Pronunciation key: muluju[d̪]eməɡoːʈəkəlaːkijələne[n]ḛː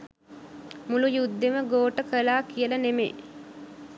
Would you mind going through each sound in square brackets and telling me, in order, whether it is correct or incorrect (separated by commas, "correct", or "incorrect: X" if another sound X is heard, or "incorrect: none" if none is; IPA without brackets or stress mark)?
incorrect: d̪ː, incorrect: m